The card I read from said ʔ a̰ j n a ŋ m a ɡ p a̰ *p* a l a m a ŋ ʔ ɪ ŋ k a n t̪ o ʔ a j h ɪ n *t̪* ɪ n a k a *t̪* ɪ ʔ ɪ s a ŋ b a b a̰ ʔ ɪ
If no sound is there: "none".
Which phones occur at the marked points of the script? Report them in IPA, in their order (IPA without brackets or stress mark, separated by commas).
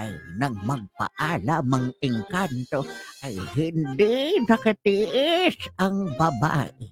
ʔ, d̪, t̪